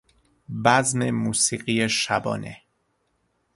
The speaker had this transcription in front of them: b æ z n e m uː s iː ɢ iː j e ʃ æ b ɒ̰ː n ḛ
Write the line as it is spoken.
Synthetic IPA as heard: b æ z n e m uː s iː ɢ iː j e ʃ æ b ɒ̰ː n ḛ